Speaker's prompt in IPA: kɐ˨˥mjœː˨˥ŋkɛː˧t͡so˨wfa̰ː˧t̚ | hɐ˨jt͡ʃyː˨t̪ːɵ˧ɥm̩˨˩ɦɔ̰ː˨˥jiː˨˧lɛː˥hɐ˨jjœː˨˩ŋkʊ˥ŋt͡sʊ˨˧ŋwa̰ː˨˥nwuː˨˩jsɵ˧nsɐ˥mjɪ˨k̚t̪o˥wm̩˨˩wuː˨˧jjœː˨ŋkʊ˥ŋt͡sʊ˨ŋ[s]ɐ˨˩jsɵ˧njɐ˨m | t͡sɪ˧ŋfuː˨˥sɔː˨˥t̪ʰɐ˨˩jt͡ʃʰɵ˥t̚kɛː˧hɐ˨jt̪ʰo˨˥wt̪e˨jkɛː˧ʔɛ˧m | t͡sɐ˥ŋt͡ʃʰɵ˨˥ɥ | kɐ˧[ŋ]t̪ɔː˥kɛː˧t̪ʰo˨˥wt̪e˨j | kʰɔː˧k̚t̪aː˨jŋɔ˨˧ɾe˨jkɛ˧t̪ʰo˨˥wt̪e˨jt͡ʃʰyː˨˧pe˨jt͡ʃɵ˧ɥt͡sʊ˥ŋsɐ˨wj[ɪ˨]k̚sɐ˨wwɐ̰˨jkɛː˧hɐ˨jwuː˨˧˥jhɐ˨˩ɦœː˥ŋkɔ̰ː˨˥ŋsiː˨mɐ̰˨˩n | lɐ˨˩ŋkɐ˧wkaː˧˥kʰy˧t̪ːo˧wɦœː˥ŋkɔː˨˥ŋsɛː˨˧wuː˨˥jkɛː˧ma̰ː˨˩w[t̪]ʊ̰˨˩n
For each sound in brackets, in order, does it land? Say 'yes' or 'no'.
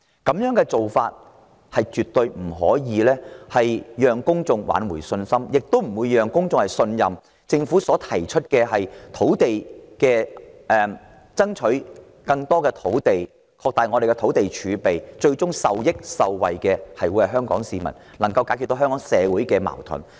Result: no, yes, no, no

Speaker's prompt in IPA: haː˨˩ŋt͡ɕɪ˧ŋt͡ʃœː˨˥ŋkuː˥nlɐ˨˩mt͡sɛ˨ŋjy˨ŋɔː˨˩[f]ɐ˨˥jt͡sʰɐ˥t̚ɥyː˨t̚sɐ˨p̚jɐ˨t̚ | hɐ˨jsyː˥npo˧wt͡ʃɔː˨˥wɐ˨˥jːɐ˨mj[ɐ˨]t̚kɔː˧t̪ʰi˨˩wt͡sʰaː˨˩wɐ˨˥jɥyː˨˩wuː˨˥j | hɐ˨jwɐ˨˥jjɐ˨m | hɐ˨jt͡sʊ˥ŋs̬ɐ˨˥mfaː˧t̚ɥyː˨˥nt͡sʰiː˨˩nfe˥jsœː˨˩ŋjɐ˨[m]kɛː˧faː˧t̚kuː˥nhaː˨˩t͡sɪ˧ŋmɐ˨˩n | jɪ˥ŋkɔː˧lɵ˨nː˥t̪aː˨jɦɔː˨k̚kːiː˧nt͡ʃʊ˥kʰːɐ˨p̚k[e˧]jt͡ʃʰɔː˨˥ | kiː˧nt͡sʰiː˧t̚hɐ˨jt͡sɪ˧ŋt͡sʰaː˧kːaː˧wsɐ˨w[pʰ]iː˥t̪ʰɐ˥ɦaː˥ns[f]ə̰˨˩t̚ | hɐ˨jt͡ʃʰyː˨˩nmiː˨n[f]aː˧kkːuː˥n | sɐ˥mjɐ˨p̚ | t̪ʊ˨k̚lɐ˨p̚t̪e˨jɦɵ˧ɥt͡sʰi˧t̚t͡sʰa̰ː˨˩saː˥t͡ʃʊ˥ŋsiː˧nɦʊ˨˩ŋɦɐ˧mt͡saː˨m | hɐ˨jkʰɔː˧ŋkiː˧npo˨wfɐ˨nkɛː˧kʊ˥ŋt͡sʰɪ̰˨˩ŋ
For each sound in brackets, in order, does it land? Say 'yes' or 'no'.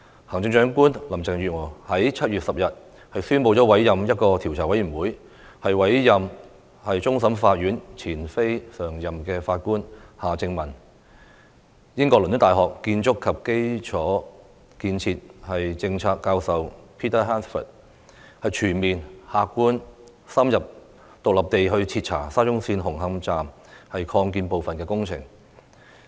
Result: no, no, yes, no, yes, yes, no

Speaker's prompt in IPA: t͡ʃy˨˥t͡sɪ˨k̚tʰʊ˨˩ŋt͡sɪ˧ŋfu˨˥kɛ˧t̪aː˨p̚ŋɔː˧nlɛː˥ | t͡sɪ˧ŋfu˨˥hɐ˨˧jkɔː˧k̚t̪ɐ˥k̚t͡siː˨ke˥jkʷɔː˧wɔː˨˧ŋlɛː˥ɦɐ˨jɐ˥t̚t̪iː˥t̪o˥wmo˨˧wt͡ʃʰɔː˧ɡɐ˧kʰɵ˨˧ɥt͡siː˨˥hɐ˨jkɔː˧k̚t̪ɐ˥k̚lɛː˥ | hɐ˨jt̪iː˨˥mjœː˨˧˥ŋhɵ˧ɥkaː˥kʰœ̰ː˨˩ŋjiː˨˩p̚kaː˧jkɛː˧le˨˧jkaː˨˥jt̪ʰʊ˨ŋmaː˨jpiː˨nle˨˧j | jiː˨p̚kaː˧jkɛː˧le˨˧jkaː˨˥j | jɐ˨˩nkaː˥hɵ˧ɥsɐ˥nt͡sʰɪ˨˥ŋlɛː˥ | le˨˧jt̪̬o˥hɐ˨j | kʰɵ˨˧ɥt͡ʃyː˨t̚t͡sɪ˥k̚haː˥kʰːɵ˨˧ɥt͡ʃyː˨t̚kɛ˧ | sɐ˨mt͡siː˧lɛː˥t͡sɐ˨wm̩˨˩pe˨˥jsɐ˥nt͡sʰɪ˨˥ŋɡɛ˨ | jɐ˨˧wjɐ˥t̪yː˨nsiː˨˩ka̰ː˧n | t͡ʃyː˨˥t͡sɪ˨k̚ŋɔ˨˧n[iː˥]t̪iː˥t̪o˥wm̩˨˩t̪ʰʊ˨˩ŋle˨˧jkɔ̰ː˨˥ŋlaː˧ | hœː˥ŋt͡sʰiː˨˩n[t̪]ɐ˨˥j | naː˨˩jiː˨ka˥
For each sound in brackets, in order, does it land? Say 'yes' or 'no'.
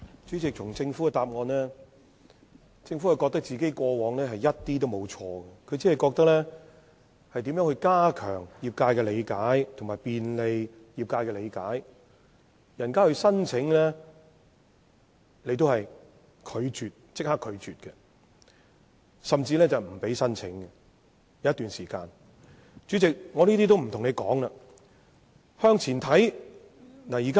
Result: yes, no

